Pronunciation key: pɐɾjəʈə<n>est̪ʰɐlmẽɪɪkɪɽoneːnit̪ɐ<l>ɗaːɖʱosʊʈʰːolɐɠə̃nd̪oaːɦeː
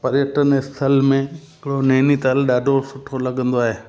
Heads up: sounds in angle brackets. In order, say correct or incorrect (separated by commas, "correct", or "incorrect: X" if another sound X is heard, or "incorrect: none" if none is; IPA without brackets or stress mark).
correct, correct